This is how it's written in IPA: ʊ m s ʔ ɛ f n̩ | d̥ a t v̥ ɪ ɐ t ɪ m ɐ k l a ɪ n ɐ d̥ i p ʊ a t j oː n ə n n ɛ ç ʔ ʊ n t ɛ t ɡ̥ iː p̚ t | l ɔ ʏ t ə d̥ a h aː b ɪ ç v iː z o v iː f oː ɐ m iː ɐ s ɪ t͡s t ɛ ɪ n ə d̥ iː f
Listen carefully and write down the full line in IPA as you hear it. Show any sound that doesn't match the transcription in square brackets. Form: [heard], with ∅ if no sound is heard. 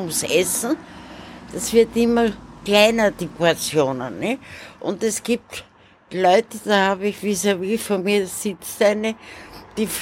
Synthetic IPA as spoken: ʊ m s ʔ ɛ [s] n̩ | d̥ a [s] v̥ ɪ ɐ t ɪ m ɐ k l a ɪ n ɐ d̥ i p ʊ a [t͡s] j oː n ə n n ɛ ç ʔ ʊ n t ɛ [s] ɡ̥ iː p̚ t | l ɔ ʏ t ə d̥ a h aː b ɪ ç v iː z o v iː f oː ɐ m iː ɐ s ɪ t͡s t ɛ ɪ n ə d̥ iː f